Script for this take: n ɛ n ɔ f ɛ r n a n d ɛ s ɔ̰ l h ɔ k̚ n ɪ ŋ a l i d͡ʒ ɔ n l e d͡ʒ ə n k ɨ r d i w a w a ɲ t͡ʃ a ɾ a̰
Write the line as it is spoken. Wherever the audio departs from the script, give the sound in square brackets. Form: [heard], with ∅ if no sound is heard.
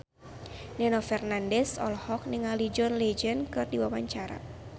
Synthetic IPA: n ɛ n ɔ f ɛ r n a n d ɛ s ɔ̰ l h ɔ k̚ n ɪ ŋ a l i d͡ʒ ɔ n l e d͡ʒ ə n k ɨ r d i w a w a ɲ t͡ʃ a ɾ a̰